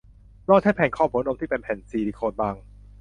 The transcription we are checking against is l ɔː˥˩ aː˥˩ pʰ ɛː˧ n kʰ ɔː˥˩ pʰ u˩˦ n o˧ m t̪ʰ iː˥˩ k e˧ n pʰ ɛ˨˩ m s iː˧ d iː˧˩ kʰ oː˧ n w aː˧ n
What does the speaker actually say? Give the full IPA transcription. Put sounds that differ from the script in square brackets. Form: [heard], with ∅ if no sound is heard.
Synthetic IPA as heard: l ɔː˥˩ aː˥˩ pʰ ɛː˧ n kʰ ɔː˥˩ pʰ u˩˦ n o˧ m t̪ʰ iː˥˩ [p] e˧ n pʰ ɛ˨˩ [n] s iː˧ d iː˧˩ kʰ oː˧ n [b] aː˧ [ŋ]